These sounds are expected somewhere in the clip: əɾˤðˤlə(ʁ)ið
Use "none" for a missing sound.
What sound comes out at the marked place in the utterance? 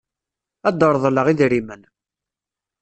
ʁ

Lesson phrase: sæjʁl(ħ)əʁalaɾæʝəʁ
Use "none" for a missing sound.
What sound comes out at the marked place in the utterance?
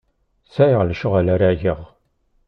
ʃ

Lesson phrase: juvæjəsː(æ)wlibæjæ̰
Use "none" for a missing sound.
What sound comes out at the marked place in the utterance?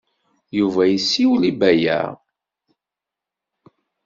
i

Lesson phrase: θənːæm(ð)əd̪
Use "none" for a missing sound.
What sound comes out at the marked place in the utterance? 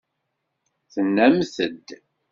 θ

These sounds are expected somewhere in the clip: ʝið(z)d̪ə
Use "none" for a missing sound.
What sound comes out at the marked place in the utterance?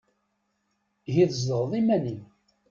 z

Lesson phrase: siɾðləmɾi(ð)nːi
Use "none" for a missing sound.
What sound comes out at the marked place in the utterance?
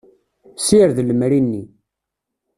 none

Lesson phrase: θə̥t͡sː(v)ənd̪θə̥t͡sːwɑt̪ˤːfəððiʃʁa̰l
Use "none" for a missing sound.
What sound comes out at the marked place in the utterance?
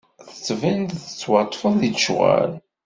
v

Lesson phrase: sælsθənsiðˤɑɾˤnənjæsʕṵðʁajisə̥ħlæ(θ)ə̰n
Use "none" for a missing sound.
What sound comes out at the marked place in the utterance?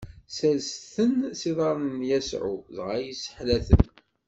θ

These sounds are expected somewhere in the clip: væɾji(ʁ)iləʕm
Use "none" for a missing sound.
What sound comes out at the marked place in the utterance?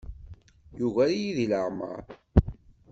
ð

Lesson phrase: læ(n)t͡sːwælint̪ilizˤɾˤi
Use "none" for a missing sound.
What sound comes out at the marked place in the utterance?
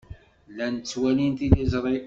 n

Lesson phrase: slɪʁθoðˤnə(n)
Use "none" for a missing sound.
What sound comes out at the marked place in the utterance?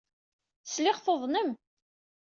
m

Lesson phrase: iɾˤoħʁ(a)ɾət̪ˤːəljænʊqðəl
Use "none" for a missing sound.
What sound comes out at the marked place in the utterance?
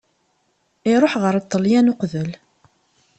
ə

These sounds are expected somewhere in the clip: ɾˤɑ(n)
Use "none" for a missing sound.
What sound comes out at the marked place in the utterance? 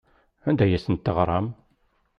m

